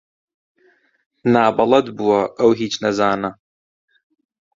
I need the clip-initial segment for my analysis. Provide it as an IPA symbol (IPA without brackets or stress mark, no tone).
n